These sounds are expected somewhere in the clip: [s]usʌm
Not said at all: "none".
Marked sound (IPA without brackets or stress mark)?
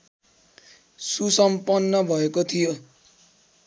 s